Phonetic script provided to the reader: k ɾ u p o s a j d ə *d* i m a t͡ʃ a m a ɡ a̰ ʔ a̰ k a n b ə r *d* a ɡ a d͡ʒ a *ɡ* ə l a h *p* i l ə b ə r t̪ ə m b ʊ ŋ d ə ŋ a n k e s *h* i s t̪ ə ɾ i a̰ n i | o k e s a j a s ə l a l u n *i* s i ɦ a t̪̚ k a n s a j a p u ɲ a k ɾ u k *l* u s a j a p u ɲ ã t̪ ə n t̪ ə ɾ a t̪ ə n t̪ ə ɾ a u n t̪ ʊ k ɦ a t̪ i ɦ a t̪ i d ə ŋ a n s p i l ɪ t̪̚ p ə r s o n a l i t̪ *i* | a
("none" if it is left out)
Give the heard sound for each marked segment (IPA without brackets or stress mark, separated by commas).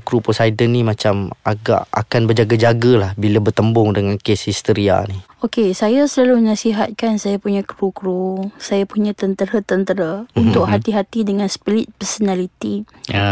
n, d͡ʒ, ɡ, b, h, a, ɾ, i